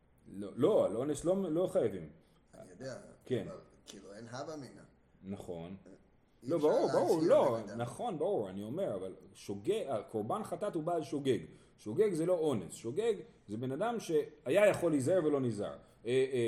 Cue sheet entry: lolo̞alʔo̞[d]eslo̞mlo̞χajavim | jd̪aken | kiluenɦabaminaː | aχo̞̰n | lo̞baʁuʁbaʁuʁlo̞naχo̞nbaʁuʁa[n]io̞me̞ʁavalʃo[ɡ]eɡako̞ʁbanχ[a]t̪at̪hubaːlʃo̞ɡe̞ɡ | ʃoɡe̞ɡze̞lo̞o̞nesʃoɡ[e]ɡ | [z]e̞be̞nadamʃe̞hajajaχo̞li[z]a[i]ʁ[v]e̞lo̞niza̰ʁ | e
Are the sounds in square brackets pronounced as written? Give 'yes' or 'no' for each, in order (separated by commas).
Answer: no, yes, yes, yes, yes, yes, yes, no, yes